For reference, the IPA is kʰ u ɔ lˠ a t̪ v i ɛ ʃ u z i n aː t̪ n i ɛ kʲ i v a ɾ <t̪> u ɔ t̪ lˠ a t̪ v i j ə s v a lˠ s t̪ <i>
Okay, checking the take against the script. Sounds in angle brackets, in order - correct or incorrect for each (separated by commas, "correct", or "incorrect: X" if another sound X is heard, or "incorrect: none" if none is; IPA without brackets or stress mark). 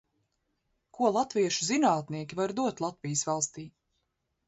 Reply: incorrect: d̪, incorrect: iː